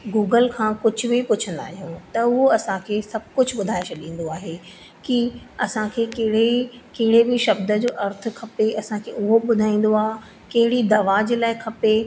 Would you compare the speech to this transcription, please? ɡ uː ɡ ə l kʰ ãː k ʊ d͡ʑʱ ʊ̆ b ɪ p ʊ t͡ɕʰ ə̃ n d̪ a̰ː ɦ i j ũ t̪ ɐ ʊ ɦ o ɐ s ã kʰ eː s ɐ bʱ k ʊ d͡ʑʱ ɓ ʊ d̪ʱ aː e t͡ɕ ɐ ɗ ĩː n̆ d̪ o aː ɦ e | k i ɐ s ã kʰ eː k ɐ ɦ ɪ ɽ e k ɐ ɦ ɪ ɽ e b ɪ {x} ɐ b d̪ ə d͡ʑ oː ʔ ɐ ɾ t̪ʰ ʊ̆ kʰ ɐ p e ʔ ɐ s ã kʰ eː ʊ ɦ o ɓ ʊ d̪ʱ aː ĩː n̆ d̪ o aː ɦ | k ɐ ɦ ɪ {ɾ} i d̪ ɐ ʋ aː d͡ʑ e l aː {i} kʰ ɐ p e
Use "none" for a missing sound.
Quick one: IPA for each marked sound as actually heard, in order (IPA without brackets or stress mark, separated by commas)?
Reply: ʃ, ɽ, ɪ